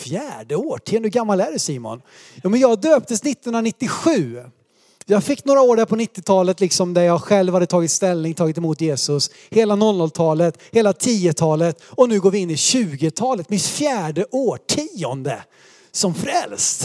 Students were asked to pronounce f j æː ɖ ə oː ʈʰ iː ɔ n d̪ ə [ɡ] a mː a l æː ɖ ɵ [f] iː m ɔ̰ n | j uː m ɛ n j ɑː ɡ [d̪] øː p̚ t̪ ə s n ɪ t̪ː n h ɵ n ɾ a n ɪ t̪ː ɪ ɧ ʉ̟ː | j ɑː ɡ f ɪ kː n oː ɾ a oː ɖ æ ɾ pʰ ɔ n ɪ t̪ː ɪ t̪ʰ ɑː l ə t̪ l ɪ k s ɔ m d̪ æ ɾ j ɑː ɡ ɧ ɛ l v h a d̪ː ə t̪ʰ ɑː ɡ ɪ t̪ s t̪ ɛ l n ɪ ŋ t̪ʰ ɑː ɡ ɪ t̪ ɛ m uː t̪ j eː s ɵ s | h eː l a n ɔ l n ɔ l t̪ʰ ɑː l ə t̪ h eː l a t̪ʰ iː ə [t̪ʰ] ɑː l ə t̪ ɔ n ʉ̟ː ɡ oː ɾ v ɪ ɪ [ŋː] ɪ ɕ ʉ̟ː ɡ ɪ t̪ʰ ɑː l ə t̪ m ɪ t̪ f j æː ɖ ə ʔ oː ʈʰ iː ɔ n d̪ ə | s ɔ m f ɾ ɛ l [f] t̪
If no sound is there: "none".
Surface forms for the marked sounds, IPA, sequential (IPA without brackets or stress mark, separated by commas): ɡ, s, d̪, t̪ʰ, nː, s